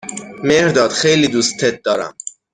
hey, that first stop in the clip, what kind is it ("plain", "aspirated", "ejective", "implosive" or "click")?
plain